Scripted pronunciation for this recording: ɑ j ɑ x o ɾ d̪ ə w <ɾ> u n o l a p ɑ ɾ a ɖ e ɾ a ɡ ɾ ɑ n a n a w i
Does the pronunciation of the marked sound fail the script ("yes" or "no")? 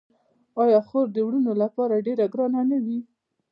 yes